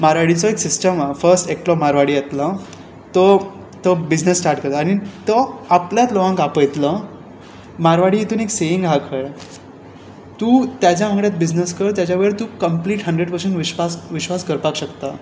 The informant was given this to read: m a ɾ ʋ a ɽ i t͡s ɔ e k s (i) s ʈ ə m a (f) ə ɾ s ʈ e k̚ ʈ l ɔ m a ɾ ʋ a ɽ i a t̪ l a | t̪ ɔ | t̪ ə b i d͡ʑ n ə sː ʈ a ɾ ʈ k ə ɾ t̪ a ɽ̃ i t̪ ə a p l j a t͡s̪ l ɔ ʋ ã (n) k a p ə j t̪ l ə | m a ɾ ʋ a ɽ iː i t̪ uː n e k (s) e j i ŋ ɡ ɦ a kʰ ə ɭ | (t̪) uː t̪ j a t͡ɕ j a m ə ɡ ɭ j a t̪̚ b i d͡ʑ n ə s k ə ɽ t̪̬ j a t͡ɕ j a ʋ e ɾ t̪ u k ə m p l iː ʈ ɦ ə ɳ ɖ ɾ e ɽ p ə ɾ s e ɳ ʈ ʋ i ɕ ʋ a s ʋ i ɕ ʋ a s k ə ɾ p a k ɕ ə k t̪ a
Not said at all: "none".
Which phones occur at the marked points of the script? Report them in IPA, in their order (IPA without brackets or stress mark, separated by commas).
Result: i, f, ŋ, s, t̪